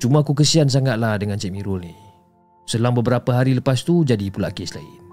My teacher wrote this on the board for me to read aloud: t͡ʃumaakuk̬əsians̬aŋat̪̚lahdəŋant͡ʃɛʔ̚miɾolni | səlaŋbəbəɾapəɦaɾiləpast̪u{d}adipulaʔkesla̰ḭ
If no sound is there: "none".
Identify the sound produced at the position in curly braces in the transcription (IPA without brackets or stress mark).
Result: d͡ʒ